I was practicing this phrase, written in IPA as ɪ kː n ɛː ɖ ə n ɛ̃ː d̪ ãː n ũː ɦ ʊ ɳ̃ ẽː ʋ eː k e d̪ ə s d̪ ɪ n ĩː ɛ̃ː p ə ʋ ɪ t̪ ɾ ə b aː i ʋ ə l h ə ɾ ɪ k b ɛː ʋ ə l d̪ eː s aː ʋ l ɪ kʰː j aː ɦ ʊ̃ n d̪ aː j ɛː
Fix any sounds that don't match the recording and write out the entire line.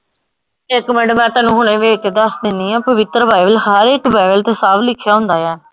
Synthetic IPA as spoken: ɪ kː m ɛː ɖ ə m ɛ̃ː t̪ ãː n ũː ɦ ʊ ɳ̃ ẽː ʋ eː k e d̪ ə s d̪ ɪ n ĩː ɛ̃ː p ə ʋ ɪ t̪ ɾ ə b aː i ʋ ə l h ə ɾ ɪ k b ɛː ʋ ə l t̪ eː s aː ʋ l ɪ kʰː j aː ɦ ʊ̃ n d̪ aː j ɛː

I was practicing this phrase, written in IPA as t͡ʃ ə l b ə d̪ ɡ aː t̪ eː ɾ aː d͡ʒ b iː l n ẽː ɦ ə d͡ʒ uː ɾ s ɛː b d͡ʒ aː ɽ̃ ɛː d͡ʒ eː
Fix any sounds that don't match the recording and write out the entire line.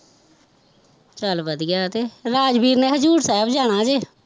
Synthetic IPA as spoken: t͡ʃ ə l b ə d̪ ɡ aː t̪ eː ɾ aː d͡ʒ b iː ɾ n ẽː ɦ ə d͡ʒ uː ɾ s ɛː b d͡ʒ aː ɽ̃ aː d͡ʒ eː

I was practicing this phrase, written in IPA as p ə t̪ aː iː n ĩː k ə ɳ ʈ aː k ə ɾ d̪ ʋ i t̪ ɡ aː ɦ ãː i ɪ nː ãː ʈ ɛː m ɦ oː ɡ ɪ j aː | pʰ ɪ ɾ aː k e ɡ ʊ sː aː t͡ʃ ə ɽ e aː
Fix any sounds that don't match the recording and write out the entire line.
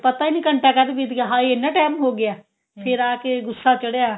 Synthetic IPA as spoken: p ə t̪ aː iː n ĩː k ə ɳ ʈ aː k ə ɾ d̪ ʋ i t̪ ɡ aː ɦ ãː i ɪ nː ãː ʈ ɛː m ɦ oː ɡ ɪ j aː | pʰ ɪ ɾ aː k e ɡ ʊ sː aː t͡ʃ ə ɽ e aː

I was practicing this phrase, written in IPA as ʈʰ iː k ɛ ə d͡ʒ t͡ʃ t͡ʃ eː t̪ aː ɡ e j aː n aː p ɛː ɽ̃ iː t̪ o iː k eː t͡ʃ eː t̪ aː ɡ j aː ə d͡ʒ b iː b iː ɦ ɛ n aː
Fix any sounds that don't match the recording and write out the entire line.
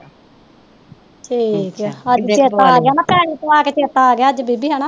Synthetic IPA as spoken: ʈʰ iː k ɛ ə d͡ʒ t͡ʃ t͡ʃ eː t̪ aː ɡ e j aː n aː p ɛː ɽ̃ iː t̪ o aː k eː t͡ʃ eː t̪ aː ɡ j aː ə d͡ʒ b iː b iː ɦ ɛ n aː

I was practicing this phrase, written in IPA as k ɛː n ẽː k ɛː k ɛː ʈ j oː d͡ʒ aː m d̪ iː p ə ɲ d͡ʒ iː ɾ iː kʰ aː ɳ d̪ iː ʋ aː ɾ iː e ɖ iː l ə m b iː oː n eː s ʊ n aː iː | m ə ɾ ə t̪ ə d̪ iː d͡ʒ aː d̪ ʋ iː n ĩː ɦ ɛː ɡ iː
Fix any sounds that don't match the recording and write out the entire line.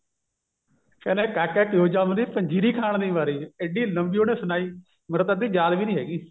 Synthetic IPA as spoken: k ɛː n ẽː k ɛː k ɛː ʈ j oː d͡ʒ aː m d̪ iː p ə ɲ d͡ʒ iː ɾ iː kʰ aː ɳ d̪ iː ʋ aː ɾ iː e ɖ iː l ə m b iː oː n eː s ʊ n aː iː | m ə ɾ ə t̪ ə d̪ iː d͡ʒ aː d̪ ʋ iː n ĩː ɦ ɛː ɡ iː

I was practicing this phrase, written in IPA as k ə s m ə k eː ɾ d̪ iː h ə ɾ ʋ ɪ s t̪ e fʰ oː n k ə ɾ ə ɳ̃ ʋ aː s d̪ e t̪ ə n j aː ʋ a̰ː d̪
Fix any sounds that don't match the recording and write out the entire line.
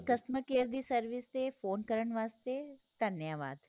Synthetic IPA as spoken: k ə s m ə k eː ɾ d̪ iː s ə ɾ ʋ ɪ s t̪ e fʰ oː n k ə ɾ ə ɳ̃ ʋ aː s t̪ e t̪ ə n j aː ʋ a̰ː d̪

